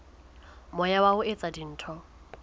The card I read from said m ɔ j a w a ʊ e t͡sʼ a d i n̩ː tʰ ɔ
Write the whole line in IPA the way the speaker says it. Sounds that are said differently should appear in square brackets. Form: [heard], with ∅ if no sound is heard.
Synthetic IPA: m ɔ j a w a ʊ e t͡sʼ a d i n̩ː tʰ ɔ